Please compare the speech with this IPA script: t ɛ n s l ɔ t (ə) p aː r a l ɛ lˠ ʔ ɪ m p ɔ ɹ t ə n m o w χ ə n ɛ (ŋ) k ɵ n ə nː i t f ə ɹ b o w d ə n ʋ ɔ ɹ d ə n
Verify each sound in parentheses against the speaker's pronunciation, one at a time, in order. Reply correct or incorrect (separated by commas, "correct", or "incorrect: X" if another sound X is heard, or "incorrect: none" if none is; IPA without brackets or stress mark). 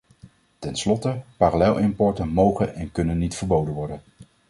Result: correct, incorrect: n